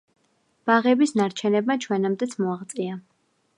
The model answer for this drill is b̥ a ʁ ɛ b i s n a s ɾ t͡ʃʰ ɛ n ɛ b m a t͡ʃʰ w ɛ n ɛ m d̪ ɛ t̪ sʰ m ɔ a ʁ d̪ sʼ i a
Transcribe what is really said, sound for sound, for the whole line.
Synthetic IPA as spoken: b̥ a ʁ ɛ b i s n a ɾ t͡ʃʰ ɛ n ɛ b m a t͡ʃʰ w ɛ n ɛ m d̪ ɛ t̪ sʰ m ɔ a ʁ t̪ sʼ i a